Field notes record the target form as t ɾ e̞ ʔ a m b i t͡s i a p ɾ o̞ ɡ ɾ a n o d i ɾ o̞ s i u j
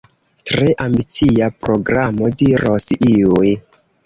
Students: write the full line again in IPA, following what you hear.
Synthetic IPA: t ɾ e̞ ʔ a m b i t͡s i a p ɾ o̞ ɡ ɾ a m o d i ɾ o̞ s i u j